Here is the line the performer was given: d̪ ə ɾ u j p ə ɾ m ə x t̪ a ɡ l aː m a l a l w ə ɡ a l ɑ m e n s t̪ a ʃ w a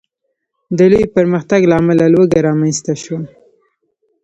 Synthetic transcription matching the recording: d̪ ə l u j p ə ɾ m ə x t̪ a ɡ l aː m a l a l w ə ɡ a ɾ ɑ m a n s t̪ a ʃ w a